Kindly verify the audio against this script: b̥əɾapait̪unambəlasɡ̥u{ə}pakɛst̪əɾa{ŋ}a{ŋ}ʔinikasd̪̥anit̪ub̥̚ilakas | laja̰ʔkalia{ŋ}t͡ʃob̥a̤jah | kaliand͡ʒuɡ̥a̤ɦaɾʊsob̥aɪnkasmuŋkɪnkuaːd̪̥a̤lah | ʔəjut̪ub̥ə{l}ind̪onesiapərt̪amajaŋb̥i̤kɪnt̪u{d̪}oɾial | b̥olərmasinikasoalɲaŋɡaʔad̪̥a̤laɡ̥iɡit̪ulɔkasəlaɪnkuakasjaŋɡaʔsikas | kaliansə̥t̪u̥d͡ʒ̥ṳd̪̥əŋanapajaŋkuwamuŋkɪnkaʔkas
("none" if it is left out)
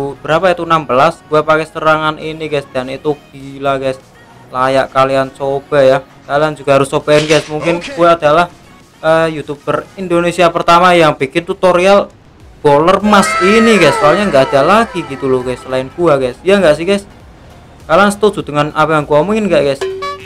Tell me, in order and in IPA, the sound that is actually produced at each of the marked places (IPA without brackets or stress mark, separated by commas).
a, ŋ, n, n, r, t̪